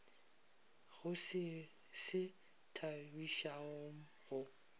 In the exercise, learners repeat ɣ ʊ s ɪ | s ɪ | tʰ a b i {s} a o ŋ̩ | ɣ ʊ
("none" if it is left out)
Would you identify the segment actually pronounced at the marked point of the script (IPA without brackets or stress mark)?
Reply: ʃ